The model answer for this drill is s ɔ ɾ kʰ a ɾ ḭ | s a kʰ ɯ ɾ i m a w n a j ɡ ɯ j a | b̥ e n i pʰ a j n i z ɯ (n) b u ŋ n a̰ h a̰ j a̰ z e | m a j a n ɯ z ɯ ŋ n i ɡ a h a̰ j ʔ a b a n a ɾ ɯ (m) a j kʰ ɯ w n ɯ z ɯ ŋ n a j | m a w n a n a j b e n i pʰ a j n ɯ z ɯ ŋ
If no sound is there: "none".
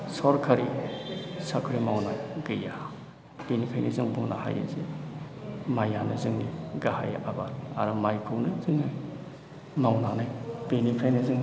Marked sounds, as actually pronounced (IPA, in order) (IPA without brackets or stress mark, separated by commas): ŋ, m